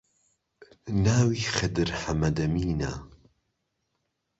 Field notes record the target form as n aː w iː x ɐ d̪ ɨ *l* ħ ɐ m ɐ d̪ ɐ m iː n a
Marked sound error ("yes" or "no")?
yes